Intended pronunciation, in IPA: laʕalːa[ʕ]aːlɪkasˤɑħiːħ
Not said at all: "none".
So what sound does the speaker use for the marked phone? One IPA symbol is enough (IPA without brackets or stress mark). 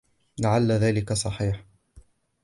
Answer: ð